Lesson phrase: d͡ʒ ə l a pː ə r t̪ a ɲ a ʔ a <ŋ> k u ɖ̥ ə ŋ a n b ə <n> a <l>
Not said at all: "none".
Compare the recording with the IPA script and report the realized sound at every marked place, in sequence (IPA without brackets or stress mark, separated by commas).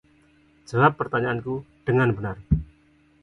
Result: n, n, r